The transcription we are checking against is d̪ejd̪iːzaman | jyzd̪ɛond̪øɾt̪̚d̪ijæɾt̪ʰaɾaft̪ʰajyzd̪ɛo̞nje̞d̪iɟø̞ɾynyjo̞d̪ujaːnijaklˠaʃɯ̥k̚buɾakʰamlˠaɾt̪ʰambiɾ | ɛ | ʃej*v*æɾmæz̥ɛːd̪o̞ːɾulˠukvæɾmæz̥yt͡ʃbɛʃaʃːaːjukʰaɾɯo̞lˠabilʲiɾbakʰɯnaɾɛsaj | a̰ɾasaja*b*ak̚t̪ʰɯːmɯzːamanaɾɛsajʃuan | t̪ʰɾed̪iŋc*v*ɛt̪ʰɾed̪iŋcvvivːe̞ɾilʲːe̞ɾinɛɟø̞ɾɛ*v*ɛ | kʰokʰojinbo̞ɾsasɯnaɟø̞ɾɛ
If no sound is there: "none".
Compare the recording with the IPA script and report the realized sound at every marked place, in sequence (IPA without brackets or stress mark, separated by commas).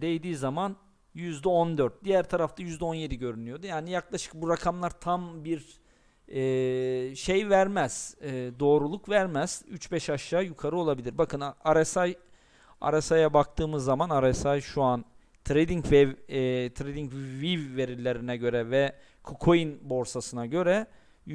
v, b, v, v